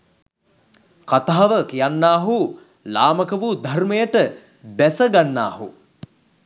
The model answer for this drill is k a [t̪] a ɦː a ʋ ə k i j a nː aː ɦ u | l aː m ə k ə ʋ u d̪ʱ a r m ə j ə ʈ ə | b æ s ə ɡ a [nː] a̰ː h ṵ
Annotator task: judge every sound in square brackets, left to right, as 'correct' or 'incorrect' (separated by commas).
correct, correct